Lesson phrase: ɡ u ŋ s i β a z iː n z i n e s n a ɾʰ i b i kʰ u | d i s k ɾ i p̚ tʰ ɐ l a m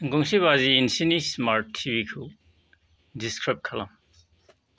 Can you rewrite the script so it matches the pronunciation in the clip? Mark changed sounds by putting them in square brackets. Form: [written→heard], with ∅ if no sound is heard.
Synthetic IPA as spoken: ɡ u ŋ s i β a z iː n [z→s] i n [e→i] s [n→m] a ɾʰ i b i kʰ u | d i s k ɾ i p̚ [tʰ→kʰ] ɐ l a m